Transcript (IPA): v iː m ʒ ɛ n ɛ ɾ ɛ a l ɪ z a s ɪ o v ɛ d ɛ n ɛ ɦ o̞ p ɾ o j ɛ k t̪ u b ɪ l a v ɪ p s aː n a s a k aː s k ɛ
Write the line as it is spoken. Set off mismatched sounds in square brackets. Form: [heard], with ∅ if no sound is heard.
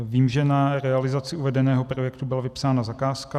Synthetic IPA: v iː m ʒ ɛ n [a] ɾ ɛ a l ɪ z a [t͡s] ɪ [u] v ɛ d ɛ n [ɛː] ɦ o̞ p ɾ o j ɛ k t̪ u b ɪ l a v ɪ p s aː n a [z] a k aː s k [a]